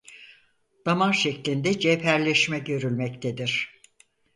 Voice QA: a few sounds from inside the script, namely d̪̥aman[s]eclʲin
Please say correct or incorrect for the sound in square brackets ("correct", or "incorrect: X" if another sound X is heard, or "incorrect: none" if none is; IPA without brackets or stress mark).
incorrect: ʃ